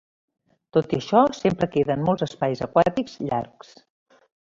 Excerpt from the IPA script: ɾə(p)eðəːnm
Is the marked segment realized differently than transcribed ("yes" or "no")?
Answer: yes